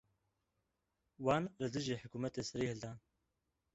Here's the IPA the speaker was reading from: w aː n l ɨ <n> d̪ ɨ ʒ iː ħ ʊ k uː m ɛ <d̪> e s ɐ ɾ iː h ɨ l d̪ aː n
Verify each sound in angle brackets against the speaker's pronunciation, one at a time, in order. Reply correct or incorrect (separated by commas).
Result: incorrect, incorrect